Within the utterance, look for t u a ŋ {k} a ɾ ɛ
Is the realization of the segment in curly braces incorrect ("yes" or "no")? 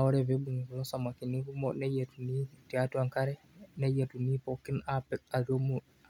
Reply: no